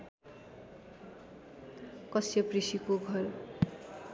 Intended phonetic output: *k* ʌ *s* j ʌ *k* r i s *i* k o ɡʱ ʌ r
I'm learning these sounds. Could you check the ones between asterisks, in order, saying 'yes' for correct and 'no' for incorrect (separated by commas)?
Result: yes, yes, no, yes